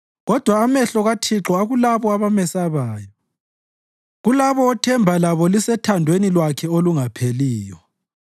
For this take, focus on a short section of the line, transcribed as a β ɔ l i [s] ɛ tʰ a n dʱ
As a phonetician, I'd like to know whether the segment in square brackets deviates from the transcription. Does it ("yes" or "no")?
no